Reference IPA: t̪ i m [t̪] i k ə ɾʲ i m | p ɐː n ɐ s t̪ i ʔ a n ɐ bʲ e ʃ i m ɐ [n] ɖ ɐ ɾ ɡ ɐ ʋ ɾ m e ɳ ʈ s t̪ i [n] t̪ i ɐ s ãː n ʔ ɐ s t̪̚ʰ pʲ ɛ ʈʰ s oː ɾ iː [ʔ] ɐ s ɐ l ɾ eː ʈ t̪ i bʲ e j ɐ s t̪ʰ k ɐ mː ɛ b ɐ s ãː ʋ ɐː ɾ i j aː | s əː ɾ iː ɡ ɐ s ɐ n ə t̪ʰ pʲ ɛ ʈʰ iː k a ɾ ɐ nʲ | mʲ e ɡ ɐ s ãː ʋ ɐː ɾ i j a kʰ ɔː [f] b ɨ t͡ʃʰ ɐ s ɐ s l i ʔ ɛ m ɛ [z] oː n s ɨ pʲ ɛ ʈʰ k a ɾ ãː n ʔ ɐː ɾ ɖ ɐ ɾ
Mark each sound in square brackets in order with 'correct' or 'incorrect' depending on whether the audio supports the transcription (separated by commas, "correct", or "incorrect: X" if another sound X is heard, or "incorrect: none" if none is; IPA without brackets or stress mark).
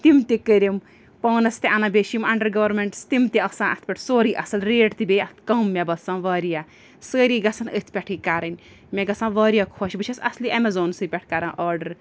correct, incorrect: ɳ, incorrect: m, correct, incorrect: ʃ, correct